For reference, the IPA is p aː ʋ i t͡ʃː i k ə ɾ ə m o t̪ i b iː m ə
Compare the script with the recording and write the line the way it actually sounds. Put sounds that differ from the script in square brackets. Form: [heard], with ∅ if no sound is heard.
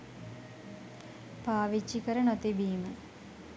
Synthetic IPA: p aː ʋ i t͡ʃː i k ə ɾ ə [n] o t̪ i b iː m ə